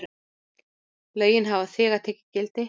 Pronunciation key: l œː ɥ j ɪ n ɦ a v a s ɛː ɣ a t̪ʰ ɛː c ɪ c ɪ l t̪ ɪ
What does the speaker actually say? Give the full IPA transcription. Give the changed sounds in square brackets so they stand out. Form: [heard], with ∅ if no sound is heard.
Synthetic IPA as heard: l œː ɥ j ɪ n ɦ a v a [θ] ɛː ɣ a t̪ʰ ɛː c ɪ c ɪ l t̪ ɪ